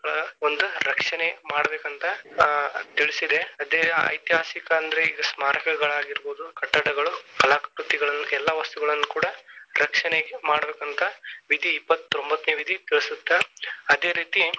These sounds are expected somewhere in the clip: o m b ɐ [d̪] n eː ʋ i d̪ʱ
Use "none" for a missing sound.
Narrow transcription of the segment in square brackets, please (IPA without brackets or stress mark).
t̪